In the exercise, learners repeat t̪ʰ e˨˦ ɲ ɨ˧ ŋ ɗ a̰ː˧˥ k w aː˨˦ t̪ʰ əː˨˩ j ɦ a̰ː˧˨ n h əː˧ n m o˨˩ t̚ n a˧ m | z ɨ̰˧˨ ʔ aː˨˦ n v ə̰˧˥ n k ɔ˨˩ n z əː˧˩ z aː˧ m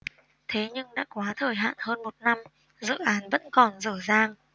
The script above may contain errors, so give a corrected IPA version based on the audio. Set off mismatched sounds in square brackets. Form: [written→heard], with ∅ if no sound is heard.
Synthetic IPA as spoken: t̪ʰ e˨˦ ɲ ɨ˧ ŋ ɗ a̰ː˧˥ k w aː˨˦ t̪ʰ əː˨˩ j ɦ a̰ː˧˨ n h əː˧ n m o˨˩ t̚ n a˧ m | z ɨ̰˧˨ ʔ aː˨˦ n v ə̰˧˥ n k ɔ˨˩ n z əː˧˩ z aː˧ [m→ŋ]